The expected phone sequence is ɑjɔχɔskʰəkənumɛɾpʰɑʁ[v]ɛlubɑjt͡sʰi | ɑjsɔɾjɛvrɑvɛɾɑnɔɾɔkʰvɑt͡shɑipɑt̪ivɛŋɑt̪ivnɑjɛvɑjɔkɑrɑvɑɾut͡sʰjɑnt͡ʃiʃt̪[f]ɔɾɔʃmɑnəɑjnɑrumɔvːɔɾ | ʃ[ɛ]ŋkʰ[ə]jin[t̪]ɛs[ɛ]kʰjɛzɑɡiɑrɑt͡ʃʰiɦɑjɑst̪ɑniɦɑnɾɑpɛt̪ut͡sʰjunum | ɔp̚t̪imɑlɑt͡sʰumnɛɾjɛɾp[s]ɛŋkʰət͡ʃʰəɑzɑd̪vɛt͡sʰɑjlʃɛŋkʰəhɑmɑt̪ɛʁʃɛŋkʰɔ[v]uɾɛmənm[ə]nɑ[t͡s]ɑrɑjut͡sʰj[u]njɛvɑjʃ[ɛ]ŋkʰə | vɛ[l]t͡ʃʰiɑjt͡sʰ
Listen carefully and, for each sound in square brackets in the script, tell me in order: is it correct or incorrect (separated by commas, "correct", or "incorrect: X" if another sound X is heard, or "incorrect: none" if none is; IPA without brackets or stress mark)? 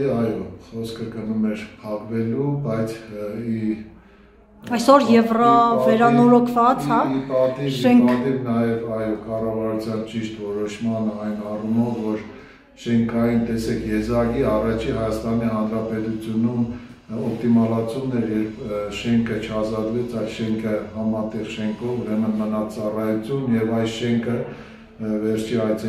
correct, incorrect: v, correct, incorrect: ɑ, correct, correct, incorrect: ʃ, correct, correct, correct, correct, correct, incorrect: ɾ